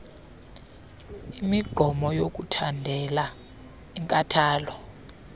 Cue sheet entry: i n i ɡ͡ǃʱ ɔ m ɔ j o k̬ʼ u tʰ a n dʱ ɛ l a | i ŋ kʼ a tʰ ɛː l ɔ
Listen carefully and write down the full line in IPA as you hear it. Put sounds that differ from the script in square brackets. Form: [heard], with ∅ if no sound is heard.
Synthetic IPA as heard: i [m] i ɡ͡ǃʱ ɔ m ɔ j o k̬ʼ u tʰ a n dʱ ɛ l a | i ŋ kʼ a tʰ [aː] l ɔ